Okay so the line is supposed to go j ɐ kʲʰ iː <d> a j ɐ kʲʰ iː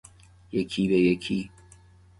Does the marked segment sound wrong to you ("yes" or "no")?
no